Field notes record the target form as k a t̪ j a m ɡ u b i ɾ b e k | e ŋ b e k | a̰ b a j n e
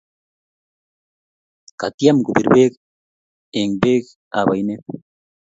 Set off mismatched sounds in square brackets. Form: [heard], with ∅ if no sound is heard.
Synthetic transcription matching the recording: k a t̪ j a m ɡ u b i ɾ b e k | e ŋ b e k | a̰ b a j n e

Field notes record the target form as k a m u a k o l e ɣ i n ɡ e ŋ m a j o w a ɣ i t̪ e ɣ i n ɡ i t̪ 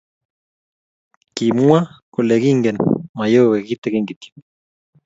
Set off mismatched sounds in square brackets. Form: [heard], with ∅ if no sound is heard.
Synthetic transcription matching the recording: k [i] m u a k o l e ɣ i [ŋ] ɡ e [n] m a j o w [e] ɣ i t̪ e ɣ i [ŋ] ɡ i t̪

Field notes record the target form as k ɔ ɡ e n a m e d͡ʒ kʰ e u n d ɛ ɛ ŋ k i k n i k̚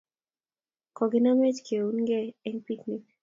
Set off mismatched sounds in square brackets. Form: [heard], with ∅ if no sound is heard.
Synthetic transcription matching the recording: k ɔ ɡ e n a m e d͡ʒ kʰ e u n [ɡ] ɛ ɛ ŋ [p] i k n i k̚

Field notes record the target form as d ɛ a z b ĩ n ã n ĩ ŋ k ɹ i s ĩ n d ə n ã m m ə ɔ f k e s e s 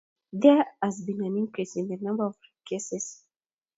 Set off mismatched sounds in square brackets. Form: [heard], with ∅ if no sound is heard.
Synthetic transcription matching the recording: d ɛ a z b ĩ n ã n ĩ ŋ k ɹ i s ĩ n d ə n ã m [b] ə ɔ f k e s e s

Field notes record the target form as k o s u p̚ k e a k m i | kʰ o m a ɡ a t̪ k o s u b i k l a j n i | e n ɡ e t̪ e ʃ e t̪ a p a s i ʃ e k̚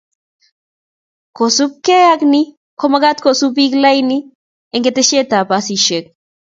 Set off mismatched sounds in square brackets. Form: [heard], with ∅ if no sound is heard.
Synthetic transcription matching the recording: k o s u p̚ k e a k [n] i | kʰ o m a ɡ a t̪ k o s u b i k l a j n i | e [ŋ] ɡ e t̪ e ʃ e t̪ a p a s i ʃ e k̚

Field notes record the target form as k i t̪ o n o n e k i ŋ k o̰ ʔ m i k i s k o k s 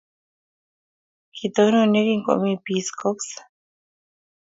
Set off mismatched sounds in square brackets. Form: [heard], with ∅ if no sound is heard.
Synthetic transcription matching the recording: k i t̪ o n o n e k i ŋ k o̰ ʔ m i [p] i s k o k s

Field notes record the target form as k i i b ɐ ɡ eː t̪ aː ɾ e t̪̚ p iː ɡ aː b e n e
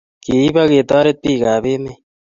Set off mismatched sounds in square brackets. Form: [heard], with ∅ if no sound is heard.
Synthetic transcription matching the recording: k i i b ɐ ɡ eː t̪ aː ɾ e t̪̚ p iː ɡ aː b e [m] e

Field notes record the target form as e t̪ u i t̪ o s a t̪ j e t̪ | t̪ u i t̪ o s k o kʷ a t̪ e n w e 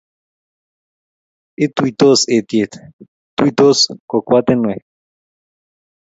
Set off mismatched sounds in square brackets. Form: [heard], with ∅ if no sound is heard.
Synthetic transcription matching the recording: e t̪ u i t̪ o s [e] t̪ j e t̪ | t̪ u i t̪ o s k o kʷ a t̪ e n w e

